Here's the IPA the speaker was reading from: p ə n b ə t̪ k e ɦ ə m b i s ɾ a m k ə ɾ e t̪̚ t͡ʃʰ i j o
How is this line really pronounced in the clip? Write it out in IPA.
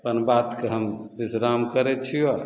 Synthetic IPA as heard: p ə n b a t̪ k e ɦ ə m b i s ɾ a m k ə ɾ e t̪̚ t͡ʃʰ i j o